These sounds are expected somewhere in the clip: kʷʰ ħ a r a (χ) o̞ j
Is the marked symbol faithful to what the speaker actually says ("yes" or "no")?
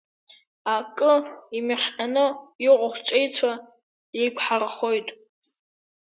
yes